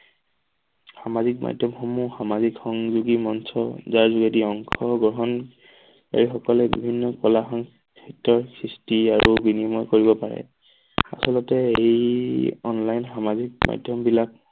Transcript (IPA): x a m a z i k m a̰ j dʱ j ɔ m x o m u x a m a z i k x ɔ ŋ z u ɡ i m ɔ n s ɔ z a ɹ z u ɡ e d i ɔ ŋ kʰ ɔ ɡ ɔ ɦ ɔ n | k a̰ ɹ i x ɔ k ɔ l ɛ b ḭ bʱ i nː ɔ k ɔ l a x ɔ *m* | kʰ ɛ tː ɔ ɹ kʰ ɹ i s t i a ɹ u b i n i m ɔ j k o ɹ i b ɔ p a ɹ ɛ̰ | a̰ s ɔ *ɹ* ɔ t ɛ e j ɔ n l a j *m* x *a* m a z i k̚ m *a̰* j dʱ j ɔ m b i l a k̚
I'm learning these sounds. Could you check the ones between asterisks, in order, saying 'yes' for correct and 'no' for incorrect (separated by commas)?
no, no, no, yes, yes